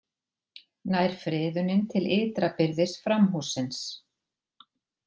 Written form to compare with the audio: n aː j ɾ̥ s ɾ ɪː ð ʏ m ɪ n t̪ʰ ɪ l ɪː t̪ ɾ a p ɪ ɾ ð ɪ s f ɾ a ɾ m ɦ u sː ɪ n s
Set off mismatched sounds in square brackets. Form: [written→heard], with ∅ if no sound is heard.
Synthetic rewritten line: n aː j ɾ̥ [s→f] ɾ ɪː ð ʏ [m→n] ɪ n t̪ʰ ɪ l ɪː t̪ ɾ a p ɪ ɾ ð ɪ s f ɾ a [ɾ→∅] m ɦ u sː ɪ n s